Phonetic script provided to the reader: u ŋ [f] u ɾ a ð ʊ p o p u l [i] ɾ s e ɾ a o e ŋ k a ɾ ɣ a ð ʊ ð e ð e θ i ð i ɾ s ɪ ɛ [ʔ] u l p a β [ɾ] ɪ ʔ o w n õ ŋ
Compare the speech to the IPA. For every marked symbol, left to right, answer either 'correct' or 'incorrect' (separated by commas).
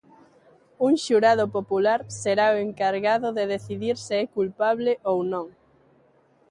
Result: incorrect, incorrect, incorrect, incorrect